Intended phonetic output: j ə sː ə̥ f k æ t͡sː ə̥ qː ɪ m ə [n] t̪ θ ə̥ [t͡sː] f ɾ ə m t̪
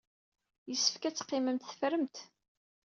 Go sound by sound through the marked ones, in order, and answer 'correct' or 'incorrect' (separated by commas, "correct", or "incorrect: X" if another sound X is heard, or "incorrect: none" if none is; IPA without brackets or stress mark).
incorrect: m, incorrect: none